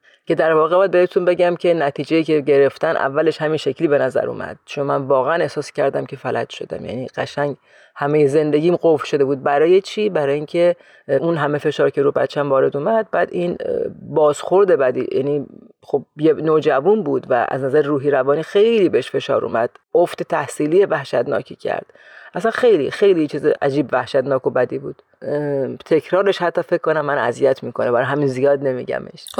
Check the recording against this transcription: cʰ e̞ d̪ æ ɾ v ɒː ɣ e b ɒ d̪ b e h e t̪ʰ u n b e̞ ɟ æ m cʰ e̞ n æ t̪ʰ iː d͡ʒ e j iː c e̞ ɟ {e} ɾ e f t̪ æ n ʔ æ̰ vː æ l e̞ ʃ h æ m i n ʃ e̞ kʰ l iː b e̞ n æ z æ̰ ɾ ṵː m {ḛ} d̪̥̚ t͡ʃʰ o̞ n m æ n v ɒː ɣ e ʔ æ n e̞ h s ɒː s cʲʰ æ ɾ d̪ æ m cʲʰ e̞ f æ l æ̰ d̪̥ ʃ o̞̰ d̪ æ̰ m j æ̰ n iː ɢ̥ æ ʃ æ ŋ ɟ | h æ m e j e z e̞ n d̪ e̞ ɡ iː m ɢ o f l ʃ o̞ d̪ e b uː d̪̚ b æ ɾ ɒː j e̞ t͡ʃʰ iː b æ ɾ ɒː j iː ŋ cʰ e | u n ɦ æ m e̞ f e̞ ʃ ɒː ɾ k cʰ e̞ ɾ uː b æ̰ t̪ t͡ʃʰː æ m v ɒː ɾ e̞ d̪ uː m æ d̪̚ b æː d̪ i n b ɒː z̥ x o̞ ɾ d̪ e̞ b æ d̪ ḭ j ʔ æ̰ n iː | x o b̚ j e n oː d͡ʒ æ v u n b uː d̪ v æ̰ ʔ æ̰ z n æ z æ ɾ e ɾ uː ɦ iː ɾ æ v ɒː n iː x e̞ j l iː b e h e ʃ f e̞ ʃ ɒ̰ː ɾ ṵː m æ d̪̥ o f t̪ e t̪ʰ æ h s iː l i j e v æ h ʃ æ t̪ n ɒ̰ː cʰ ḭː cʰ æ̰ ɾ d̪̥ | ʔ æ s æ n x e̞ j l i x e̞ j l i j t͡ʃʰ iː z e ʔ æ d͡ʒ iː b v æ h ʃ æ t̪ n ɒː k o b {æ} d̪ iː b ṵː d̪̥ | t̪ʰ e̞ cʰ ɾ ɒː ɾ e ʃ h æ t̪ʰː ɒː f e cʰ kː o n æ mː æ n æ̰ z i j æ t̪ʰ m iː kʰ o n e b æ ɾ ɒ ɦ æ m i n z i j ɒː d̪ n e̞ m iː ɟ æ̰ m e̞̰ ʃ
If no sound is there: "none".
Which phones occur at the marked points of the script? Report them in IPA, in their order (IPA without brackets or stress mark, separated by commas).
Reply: e, æ̰, æ